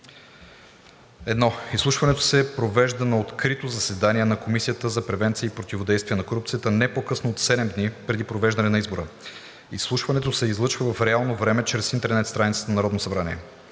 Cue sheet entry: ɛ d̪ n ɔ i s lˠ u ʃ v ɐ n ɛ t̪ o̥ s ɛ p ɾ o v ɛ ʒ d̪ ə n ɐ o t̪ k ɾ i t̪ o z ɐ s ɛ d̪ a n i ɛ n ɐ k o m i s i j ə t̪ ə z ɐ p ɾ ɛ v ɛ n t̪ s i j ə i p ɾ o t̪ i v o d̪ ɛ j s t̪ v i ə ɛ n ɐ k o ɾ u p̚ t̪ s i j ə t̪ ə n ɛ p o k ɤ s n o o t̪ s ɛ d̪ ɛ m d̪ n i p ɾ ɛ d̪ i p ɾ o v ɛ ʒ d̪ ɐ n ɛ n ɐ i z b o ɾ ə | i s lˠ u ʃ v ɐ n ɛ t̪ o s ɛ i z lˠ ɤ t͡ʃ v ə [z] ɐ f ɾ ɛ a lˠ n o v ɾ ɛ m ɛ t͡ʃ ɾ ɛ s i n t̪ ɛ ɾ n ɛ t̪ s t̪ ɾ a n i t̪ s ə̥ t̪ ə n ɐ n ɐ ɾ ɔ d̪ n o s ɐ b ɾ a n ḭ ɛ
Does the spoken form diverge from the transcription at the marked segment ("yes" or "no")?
yes